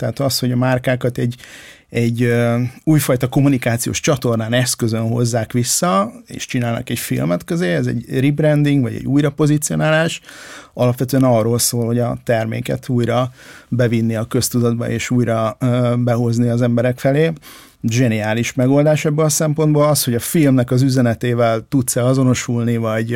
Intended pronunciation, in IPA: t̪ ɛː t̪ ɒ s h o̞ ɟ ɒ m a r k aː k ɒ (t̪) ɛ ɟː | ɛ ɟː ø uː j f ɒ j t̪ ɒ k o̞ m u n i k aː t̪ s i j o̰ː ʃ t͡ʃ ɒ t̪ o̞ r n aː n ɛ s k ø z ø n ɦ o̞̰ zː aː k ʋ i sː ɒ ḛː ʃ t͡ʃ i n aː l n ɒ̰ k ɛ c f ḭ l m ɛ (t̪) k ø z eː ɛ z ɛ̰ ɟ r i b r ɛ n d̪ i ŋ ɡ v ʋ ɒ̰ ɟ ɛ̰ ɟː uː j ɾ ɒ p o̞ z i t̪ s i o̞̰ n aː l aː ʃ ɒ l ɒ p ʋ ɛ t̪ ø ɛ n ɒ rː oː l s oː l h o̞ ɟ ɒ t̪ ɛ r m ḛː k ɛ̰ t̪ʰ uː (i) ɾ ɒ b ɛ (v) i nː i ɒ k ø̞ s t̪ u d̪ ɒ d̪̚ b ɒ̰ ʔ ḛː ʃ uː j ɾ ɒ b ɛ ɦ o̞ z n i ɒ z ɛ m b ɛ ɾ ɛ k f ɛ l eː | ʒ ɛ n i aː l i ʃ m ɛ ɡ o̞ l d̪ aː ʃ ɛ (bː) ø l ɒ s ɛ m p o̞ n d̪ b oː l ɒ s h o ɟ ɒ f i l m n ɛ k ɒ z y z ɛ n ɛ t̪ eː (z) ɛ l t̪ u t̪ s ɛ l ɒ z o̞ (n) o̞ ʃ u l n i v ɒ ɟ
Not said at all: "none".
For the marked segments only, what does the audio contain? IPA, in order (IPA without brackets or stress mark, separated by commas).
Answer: t̪, t̪, j, v, bː, v, n